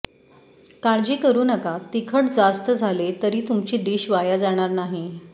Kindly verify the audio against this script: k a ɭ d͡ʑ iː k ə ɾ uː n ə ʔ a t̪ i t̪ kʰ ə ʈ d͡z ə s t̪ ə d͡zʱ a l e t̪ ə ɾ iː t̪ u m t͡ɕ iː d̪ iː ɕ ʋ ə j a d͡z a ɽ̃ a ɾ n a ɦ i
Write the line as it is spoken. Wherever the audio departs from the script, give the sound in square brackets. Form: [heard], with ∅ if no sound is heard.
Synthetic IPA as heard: k a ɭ d͡ʑ iː k ə ɾ uː n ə [k] a t̪ i [∅] kʰ ə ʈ d͡z [a] s t̪ ə d͡zʱ a l e t̪ ə ɾ iː t̪ u m t͡ɕ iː d̪ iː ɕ ʋ [a] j a d͡z a ɽ̃ a ɾ n a ɦ i

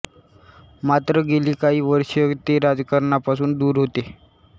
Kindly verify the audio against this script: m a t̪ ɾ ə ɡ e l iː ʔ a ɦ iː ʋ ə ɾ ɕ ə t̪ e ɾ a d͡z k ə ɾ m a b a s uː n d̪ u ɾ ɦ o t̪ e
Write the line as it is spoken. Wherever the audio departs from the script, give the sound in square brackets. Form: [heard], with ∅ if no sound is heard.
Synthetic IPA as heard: m a t̪ ɾ ə ɡ e l iː [k] a ɦ iː ʋ ə ɾ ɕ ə t̪ e ɾ a d͡z k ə ɾ [ɳ] a [p] a s uː n d̪ [uː] ɾ ɦ o t̪ e

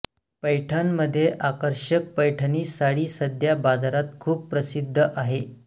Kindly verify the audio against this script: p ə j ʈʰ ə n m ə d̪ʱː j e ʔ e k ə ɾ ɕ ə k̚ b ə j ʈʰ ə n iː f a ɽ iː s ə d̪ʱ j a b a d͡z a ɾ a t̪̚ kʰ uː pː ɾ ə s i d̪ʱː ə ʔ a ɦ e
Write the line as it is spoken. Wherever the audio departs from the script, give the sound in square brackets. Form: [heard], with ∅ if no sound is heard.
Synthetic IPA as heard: p ə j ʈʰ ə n m ə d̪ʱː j e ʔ [a] k ə ɾ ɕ ə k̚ [p] ə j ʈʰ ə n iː [s] a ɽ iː s ə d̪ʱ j a b a d͡z a ɾ a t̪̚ kʰ uː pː ɾ ə s i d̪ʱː ə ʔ a ɦ e

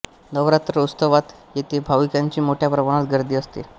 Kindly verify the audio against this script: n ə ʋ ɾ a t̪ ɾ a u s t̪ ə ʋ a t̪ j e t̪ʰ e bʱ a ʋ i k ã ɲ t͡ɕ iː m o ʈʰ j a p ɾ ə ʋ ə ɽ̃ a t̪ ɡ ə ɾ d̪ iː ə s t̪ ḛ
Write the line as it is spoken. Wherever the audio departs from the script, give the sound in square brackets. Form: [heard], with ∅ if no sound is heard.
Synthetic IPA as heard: n ə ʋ ɾ a t̪ ɾ [ə] u s t̪ ə ʋ a t̪ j e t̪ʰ e bʱ a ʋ i k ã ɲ t͡ɕ iː m o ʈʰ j a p ɾ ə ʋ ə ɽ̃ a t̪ ɡ ə ɾ d̪ iː ə s t̪ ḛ

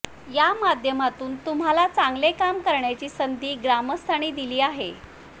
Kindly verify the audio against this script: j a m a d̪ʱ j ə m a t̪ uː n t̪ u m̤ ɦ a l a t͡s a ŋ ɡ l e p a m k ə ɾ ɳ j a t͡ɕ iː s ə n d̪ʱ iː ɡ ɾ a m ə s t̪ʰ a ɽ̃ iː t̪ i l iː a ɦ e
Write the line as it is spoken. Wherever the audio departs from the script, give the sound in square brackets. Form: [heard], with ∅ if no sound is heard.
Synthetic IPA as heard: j a m a d̪ʱ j ə m a t̪ uː n t̪ u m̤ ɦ a l a t͡s a ŋ ɡ l e [k] a m k ə ɾ ɳ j a t͡ɕ iː s ə n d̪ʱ iː ɡ ɾ a m ə s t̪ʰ a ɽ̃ iː [d̪] i l iː a ɦ e

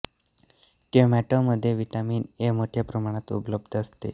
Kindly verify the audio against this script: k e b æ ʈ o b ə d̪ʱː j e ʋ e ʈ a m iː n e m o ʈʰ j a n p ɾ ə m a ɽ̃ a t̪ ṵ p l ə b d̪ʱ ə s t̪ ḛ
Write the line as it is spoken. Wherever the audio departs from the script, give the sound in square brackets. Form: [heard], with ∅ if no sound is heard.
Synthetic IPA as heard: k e [m] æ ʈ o [m] ə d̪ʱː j e ʋ [i] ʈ a m iː n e m o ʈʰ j a [∅] p ɾ ə m a ɽ̃ a t̪ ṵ p l ə b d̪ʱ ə s t̪ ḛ

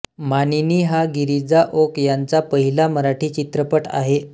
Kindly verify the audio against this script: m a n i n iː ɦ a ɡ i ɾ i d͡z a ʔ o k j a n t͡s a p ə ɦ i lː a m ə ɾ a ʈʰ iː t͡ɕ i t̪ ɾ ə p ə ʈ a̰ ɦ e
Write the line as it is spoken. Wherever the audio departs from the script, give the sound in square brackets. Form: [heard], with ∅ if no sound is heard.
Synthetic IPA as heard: m a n i n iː ɦ a ɡ i ɾ i d͡z a ʔ o k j a n t͡s a p ə ɦ i [l] a m ə ɾ a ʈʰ iː t͡ɕ i t̪ ɾ ə p ə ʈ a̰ ɦ e

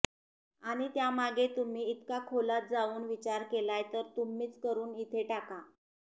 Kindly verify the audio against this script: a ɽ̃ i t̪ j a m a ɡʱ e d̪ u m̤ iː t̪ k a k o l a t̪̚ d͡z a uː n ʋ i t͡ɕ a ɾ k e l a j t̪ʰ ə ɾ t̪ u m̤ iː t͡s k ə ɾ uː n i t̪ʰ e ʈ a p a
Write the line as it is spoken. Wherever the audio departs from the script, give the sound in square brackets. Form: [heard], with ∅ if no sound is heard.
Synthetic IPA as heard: a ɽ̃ i t̪ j a m a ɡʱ e [t̪] u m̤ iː t̪ k a [kʰ] o l a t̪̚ d͡z a uː n ʋ i t͡ɕ a ɾ k e l a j [t̪] ə ɾ t̪ u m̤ iː t͡s k ə ɾ uː n i t̪ʰ e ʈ a [k] a

